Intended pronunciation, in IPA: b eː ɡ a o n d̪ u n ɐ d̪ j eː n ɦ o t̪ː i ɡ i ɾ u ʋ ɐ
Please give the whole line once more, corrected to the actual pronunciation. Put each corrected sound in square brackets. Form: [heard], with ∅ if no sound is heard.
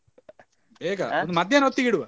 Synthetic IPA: b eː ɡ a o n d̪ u [m] ɐ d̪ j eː n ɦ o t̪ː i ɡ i [ɽ] u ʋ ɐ

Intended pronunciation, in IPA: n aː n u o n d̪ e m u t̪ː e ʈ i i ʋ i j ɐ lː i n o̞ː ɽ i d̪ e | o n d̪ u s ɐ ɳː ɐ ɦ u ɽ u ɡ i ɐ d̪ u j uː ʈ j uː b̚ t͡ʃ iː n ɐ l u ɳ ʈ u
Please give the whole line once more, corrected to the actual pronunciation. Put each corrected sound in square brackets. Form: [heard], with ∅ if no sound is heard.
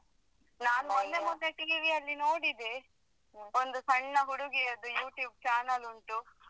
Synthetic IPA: n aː n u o n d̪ e m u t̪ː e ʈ i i ʋ i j ɐ lː i n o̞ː ɽ i d̪ e | o n d̪ u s ɐ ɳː ɐ ɦ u ɽ u ɡ i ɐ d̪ u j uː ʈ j uː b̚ t͡ʃ [aː] n ɐ l u ɳ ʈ u

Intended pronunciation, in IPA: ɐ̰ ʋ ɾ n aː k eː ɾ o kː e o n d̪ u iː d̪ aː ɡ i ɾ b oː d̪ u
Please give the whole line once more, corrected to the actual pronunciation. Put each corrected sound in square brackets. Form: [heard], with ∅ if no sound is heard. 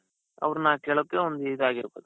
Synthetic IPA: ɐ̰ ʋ ɾ n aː k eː [ɭ] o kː e o n d̪ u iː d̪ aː ɡ i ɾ b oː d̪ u

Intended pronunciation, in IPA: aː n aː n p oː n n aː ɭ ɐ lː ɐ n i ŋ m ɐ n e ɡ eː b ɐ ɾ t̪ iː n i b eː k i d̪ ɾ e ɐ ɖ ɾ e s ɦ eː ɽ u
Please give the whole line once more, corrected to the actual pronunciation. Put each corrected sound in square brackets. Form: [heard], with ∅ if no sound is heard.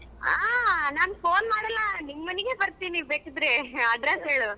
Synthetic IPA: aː n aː n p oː n [m] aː [ɽ] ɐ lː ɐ n i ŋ m ɐ n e ɡ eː b ɐ ɾ t̪ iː n i b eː k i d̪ ɾ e ɐ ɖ ɾ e s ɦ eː [ɭ] u

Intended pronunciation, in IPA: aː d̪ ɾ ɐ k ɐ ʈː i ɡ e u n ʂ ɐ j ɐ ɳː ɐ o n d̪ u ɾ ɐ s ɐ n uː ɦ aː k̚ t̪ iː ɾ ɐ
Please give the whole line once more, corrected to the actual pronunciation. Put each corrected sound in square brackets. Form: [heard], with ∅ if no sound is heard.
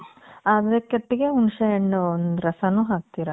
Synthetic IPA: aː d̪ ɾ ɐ k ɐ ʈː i ɡ e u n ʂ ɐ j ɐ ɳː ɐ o n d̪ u ɾ ɐ s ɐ n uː ɦ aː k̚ t̪ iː ɾ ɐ

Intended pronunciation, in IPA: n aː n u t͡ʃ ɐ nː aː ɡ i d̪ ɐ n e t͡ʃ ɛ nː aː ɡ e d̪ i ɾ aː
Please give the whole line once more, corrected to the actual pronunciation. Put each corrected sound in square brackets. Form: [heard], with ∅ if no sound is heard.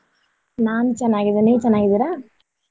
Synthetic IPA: n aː n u t͡ʃ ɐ nː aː ɡ i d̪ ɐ n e t͡ʃ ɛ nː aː ɡ [i] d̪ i ɾ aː

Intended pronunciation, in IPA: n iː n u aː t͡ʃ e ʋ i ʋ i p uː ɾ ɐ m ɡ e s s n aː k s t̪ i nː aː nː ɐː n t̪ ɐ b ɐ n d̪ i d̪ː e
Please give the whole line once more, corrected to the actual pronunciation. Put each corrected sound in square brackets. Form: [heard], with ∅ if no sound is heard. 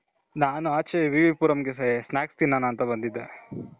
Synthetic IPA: n [aː] n u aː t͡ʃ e ʋ i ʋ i p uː ɾ ɐ m ɡ e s s n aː k s t̪ i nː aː [n] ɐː n t̪ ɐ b ɐ n d̪ i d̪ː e

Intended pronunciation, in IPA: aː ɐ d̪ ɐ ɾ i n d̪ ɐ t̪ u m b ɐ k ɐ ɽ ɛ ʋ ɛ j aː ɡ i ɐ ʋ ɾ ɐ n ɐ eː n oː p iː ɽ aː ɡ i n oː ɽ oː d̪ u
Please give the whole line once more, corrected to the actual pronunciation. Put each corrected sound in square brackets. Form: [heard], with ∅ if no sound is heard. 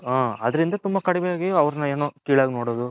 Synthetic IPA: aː ɐ d̪ ɐ ɾ i n d̪ ɐ t̪ u m b ɐ k ɐ ɽ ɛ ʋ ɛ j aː ɡ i ɐ ʋ ɾ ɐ n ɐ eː n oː [k] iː [ɭ] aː ɡ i n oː ɽ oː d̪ u

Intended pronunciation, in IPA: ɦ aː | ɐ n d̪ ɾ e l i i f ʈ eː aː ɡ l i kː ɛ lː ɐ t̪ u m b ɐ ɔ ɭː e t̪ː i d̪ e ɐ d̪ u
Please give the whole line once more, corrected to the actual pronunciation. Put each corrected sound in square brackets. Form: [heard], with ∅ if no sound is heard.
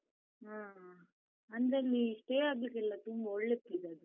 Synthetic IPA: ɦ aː | ɐ n d̪ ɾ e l i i [ʂ] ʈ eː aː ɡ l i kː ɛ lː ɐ t̪ u m b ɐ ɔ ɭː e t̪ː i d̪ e ɐ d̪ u

